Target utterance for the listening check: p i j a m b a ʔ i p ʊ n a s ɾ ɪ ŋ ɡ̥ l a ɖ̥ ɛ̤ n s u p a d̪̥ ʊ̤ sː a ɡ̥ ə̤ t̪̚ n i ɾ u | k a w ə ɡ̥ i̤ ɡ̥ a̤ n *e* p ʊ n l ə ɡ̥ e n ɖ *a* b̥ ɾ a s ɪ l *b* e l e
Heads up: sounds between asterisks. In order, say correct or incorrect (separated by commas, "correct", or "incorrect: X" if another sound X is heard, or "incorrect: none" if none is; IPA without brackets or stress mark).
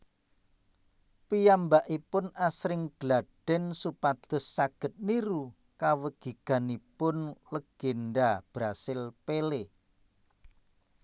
incorrect: i, correct, incorrect: p